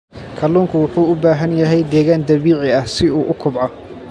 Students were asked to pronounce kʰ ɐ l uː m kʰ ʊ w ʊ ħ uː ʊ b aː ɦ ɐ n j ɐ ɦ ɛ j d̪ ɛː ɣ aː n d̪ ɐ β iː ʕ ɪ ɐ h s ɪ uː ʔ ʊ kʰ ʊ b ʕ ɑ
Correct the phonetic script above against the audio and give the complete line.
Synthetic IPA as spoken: kʰ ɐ l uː ŋ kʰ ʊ w ʊ ħ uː ʊ b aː ɦ ɐ n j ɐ ɦ ɛ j d̪ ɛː ɣ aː n d̪ ɐ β iː ʕ ɪ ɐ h s ɪ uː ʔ ʊ kʰ ʊ b ʕ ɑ